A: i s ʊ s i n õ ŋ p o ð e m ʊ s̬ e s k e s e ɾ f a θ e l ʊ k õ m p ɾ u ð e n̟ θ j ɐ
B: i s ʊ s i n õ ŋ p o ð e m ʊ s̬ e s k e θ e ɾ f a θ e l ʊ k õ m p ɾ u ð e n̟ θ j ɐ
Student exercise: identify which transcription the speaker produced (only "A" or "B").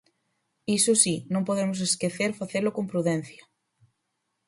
B